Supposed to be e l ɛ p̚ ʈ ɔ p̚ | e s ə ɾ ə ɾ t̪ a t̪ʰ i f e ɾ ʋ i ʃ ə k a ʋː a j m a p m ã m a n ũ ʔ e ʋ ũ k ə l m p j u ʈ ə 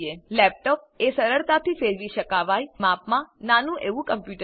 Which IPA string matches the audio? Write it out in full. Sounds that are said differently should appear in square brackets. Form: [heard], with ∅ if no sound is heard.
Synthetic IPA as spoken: e l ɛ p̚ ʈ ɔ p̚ | e s ə ɾ ə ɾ t̪ a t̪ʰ i f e ɾ ʋ i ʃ ə k a [ʋ] a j m a p m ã [n] a n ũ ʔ e ʋ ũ k ə [∅] m p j u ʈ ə